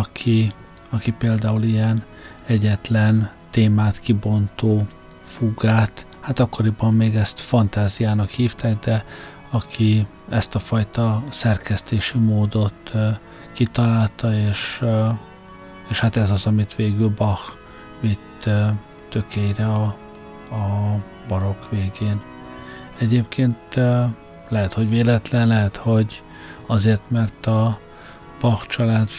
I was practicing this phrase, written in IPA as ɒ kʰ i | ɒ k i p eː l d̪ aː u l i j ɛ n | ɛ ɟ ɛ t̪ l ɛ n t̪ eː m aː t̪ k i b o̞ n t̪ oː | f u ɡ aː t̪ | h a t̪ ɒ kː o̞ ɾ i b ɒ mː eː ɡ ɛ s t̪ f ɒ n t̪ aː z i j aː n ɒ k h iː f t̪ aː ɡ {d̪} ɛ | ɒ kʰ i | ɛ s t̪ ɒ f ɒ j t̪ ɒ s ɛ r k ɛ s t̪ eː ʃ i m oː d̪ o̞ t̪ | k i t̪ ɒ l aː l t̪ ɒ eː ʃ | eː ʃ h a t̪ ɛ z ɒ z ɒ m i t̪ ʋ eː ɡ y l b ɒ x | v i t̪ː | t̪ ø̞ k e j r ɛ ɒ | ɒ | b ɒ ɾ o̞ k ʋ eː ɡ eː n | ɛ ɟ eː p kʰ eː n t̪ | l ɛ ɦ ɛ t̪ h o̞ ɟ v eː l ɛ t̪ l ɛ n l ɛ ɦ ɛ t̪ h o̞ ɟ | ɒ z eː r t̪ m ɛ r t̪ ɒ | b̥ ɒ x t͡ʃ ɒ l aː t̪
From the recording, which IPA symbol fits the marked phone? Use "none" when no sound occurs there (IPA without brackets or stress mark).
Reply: d̪